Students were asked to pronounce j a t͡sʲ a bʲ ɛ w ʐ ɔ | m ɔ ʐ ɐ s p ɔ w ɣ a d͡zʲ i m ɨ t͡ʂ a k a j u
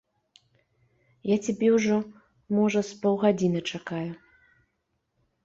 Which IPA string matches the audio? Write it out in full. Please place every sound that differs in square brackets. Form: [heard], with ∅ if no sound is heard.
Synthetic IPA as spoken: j a t͡sʲ a bʲ ɛ w ʐ ɔ | m ɔ ʐ ɐ s p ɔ w ɣ a d͡zʲ i [n] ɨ t͡ʂ a k a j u